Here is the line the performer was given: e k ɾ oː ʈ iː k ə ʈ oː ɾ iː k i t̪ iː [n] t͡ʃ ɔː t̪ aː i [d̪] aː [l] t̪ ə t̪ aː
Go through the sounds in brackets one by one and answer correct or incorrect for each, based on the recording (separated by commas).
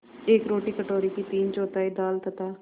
correct, correct, correct